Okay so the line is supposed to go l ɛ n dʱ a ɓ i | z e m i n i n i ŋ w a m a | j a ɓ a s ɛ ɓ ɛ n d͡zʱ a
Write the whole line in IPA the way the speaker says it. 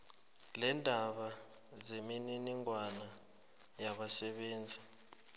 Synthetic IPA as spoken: l ɛ n dʱ a ɓ a | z e m i n i n i ŋ w a n a | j a ɓ a s ɛ ɓ ɛː n d͡zʱ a

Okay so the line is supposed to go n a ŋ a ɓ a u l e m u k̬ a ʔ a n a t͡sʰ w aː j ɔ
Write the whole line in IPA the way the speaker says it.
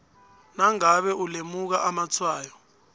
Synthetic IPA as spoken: n a ŋ a ɓ ɛ u l e m u k̬ a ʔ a m a t͡sʰ w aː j ɔ

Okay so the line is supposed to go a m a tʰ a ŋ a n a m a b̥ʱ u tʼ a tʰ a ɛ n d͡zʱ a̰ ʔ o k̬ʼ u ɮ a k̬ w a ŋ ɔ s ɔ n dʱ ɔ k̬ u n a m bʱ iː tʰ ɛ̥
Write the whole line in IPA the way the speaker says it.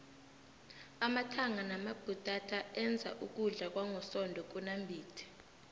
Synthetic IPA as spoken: a m a tʰ a ŋ a n a m a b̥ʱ u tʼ a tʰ a ɛ n d͡zʱ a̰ ʔ u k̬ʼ u ɮ a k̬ w a ŋ ɔ s ɔ n dʱ ɔ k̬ u n a m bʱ iː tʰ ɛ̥

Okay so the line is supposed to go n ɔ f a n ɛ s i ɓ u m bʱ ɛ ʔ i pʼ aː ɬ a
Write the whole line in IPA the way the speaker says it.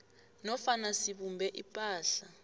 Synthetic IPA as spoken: n ɔ f a n a s i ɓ u m bʱ ɛ ʔ i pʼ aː ɬ a

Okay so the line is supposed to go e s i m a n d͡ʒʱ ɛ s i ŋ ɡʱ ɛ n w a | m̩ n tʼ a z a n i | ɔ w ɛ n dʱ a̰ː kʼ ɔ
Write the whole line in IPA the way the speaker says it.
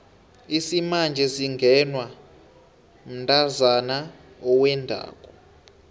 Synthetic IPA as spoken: i s i m a n d͡ʒʱ ɛ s i ŋ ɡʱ ɛ n w a | m̩ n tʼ a z a n a | ɔ w ɛ n dʱ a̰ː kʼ ɔ

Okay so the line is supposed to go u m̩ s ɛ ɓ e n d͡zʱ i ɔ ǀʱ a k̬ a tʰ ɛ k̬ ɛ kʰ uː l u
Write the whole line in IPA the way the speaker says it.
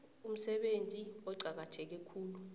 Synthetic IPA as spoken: u m̩ s ɛ ɓ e n d͡zʱ i ɔ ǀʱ a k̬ a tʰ ɛ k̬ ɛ kʰ uː l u

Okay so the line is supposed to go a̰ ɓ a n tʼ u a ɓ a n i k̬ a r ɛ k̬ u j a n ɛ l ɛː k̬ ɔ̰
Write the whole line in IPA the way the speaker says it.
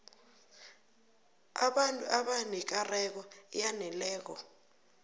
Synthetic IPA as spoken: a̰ ɓ a n tʼ u a ɓ a n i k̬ a r ɛ k̬ ɔ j a n ɛ l ɛː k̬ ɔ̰

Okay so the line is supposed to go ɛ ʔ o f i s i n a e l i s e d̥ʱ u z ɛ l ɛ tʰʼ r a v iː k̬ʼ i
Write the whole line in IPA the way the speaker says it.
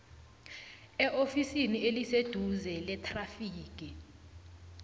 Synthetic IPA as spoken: ɛ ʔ o f i s i n i e l i s e d̥ʱ u z ɛ l ɛ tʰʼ r a f iː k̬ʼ i

